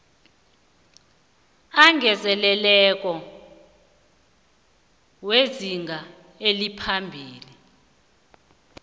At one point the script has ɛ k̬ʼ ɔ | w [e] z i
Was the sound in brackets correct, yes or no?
yes